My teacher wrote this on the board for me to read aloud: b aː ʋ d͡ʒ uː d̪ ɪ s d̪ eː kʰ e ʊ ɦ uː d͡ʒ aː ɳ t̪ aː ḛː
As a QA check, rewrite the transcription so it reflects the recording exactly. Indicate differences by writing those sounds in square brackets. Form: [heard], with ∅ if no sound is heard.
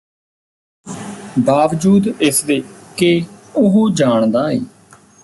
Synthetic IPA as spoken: b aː ʋ d͡ʒ uː d̪ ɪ s d̪ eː [k] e ʊ ɦ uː d͡ʒ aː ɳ [d̪] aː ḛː

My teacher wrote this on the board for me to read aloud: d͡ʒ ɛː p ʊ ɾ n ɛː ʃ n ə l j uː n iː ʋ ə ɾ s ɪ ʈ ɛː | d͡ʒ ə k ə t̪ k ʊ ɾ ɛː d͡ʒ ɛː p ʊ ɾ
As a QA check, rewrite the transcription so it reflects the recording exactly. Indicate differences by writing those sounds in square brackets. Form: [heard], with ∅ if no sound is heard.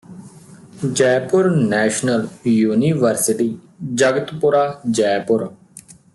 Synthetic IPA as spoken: d͡ʒ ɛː p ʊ ɾ n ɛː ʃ n ə l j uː n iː ʋ ə ɾ s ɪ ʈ [iː] | d͡ʒ ə [ɡ] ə t̪ [p] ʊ ɾ [aː] d͡ʒ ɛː p ʊ ɾ

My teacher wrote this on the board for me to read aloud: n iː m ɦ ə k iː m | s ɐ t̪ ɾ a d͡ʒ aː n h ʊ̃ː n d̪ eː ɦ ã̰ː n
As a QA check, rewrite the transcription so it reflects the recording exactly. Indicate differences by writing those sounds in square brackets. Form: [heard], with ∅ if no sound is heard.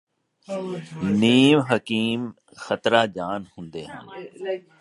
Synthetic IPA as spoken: n iː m ɦ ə k iː m | [x] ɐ t̪ ɾ a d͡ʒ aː n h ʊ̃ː n d̪ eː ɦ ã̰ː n

